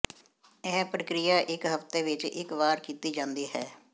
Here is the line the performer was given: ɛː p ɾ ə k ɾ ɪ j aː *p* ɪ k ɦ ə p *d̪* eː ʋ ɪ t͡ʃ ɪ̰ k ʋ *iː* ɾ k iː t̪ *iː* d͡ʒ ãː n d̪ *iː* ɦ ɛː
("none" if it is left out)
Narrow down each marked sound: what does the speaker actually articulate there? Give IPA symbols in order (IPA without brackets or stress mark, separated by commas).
ʔ, t̪, aː, iː, iː